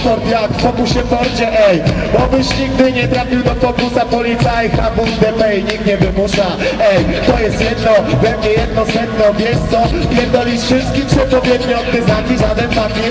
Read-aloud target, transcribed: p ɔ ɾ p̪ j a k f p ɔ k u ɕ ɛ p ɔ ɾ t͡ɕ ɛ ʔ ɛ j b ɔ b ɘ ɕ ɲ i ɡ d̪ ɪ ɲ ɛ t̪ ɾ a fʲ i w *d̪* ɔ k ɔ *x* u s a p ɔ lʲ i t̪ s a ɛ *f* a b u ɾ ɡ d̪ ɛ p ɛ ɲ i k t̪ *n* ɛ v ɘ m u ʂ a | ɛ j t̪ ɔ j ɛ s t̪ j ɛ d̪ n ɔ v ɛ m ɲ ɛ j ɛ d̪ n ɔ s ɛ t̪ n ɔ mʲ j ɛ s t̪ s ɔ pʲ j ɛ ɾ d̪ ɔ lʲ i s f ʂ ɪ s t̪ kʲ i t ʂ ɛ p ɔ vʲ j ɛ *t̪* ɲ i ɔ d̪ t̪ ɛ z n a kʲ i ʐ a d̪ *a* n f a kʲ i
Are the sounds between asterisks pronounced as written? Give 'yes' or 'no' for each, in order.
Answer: yes, no, no, no, no, no

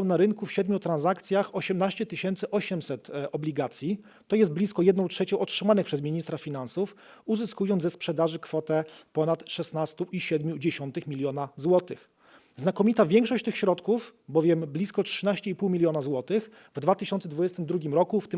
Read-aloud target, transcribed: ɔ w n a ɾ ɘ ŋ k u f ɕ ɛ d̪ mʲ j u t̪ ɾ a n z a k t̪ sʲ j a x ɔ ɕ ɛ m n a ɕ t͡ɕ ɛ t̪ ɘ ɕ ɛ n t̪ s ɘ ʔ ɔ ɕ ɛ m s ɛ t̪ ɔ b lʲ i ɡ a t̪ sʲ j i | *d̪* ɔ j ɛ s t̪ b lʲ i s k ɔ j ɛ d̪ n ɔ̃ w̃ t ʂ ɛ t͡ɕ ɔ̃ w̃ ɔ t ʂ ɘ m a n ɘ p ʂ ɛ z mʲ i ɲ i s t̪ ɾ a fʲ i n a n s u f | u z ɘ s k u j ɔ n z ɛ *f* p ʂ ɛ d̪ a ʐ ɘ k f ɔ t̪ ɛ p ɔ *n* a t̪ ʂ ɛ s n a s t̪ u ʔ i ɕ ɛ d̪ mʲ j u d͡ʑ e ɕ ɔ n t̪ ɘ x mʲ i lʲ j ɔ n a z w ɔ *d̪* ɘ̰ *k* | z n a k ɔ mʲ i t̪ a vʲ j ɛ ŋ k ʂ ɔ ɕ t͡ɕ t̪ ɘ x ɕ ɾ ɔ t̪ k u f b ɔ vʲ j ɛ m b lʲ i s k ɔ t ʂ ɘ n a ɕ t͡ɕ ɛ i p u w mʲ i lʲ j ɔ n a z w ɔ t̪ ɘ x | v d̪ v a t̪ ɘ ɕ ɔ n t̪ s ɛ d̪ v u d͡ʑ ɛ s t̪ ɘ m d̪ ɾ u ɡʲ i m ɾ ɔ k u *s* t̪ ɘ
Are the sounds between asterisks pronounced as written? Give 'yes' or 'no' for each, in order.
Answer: no, no, yes, no, no, no

